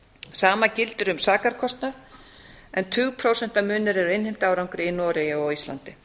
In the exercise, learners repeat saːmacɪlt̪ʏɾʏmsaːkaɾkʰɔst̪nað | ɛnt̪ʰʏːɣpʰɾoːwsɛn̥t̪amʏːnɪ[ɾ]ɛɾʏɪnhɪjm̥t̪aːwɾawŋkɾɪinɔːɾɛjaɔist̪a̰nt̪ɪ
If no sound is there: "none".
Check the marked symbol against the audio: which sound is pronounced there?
ɾ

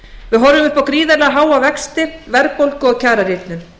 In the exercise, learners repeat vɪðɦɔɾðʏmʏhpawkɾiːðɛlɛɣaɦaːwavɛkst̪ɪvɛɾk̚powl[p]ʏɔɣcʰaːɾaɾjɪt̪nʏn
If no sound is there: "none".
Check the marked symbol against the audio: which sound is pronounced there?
k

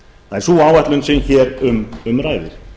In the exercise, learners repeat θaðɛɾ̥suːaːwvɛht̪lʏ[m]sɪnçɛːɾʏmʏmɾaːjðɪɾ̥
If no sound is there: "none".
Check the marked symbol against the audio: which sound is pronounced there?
n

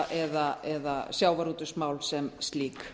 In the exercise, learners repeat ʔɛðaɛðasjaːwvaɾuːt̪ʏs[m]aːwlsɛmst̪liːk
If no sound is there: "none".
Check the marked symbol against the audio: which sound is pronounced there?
m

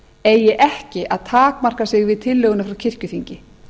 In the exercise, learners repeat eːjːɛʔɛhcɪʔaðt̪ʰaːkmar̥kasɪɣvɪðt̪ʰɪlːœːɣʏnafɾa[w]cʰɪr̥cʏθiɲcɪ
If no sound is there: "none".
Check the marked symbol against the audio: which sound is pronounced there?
w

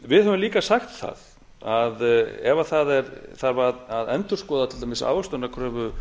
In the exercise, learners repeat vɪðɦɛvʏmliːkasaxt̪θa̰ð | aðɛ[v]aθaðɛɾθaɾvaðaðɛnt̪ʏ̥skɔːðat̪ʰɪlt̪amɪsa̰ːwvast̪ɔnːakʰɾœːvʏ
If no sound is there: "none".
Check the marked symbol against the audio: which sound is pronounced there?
v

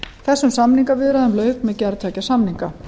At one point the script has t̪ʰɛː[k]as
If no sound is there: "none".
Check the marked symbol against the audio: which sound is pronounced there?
c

